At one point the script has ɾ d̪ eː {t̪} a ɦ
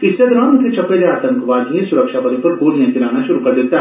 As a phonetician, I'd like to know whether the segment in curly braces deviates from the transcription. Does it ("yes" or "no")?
no